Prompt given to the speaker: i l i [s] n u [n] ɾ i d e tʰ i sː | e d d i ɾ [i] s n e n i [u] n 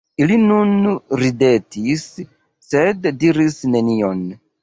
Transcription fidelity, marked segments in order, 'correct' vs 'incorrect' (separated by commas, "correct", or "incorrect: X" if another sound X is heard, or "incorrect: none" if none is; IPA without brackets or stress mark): incorrect: none, correct, correct, incorrect: o